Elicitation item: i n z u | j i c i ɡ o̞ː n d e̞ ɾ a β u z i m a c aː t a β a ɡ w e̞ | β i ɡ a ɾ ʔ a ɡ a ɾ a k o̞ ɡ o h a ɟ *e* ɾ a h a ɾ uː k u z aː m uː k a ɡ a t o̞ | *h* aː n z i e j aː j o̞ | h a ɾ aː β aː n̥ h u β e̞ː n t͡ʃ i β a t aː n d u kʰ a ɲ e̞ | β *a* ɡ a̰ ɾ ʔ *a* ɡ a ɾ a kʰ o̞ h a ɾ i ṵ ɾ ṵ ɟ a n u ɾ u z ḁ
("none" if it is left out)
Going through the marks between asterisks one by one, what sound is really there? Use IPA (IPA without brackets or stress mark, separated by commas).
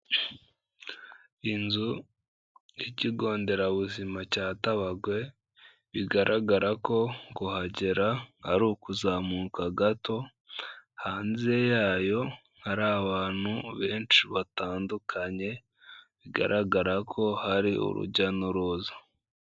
e, h, i, a